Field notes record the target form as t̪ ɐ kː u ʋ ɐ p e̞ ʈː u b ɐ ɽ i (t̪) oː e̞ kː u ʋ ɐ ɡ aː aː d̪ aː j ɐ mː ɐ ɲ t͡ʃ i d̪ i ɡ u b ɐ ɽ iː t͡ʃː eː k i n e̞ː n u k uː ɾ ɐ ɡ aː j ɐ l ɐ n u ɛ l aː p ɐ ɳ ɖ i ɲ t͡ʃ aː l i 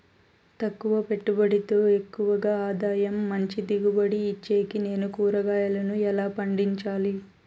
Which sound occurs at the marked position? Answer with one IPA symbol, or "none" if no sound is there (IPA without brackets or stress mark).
t̪